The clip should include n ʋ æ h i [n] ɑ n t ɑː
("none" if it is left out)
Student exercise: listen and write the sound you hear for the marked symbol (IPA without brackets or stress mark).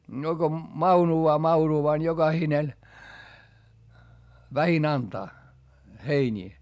n